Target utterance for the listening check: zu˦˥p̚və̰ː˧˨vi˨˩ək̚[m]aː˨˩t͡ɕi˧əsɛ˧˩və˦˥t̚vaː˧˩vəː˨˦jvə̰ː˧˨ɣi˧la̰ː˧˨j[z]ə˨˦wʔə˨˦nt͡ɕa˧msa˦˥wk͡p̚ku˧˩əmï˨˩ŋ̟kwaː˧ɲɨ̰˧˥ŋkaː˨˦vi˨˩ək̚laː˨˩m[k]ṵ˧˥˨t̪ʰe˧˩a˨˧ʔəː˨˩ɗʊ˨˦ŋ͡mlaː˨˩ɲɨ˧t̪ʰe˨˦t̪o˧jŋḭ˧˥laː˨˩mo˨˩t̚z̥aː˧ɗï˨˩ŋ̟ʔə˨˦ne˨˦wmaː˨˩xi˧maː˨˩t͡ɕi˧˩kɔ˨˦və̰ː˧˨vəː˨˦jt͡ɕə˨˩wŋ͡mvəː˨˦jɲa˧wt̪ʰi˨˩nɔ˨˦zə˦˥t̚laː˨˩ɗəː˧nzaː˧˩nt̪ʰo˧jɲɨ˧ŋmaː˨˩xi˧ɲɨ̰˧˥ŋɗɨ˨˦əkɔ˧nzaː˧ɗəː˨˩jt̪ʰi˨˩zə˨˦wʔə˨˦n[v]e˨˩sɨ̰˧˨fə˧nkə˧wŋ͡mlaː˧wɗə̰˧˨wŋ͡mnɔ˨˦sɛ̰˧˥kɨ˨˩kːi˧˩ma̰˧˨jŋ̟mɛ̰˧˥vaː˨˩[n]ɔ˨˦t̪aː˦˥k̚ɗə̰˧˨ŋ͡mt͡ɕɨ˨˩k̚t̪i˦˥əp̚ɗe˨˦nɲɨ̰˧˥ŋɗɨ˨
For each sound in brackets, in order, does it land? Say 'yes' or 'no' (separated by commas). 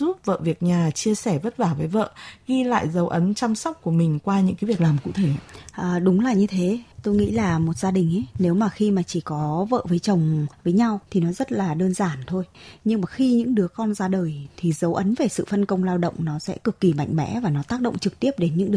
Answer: no, yes, yes, yes, yes